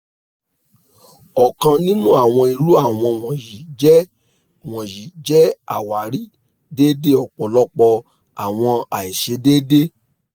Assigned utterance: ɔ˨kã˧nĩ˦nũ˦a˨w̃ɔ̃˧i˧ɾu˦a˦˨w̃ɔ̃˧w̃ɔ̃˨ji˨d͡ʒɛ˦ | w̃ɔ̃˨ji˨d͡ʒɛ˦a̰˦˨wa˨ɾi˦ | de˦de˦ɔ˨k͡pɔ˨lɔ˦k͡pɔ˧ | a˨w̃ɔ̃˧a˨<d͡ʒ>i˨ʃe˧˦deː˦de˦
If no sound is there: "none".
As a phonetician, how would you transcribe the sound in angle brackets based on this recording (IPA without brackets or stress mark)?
none